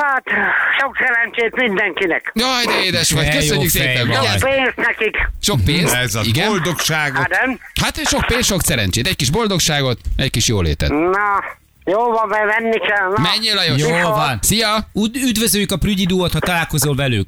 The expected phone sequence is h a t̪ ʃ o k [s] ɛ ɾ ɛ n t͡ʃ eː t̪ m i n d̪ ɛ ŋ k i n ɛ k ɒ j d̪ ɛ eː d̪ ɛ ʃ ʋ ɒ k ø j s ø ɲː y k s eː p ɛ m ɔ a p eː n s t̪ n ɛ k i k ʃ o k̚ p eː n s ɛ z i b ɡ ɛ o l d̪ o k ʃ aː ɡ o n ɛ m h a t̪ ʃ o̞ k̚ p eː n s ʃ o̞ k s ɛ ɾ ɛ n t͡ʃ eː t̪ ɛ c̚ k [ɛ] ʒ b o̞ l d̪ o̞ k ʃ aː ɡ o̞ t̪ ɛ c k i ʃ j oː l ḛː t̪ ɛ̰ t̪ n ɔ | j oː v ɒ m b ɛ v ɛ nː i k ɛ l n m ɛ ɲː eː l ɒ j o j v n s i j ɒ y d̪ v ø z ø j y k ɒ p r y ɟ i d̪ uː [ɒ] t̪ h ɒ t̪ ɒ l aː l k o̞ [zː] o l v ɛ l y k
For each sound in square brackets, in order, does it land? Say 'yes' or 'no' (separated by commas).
yes, no, no, no